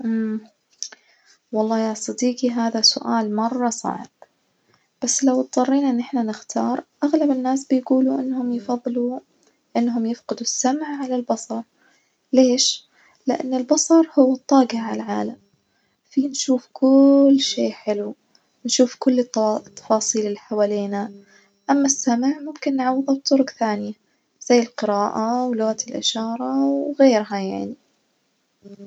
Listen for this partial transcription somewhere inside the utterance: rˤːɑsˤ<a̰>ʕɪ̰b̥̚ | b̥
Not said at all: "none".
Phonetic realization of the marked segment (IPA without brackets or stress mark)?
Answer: ɑ̰